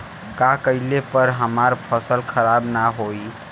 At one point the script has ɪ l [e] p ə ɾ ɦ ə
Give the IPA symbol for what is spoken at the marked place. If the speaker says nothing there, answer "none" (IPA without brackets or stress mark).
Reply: e